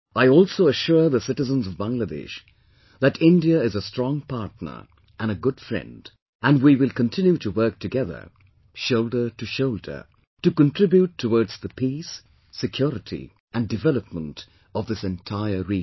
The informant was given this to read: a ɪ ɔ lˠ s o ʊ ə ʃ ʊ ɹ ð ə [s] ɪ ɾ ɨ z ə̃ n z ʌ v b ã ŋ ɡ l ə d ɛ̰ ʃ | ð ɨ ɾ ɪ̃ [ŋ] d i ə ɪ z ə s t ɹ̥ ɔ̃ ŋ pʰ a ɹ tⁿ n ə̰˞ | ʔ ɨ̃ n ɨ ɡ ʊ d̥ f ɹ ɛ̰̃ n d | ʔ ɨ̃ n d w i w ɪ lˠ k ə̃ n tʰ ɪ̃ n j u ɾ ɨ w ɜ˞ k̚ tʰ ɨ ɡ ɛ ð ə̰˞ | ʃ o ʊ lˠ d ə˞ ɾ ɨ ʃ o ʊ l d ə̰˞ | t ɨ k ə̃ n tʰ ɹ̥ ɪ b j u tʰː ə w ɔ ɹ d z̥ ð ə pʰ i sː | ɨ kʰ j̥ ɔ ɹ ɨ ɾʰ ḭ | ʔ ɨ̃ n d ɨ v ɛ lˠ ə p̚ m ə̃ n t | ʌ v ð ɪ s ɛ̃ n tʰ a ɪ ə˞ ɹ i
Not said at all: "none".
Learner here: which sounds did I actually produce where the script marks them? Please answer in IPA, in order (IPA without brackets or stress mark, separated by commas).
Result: s, n